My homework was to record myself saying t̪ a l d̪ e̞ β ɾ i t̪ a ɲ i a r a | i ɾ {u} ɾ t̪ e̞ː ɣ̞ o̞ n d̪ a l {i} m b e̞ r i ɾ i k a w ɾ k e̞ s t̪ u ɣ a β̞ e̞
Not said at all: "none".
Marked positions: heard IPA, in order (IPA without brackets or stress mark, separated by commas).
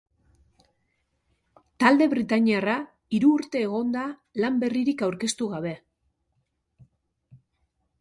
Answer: uː, a